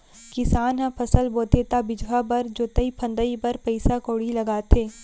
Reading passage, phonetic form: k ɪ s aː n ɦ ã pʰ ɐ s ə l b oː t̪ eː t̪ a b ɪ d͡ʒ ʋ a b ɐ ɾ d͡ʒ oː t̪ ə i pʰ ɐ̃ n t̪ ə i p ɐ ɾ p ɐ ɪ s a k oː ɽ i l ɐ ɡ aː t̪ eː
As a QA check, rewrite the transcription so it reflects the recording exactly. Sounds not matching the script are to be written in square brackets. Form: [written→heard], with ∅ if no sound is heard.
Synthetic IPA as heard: k ɪ s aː n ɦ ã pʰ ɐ s ə l b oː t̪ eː t̪ a b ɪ d͡ʒ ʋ a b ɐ ɾ d͡ʒ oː t̪ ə i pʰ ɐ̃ n [t̪→d̪] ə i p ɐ ɾ p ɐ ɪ s a k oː ɽ i l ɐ ɡ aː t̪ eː